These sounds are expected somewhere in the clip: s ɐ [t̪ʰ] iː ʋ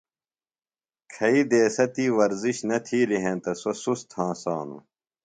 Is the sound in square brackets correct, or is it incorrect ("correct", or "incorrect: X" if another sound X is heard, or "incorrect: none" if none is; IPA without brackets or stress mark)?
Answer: incorrect: t̪